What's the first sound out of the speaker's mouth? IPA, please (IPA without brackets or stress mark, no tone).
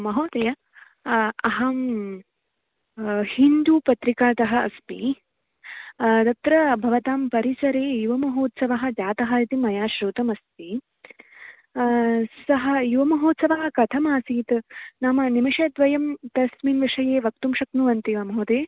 m